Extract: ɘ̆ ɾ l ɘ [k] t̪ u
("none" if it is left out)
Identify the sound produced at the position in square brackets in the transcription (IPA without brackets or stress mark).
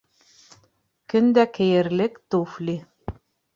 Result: k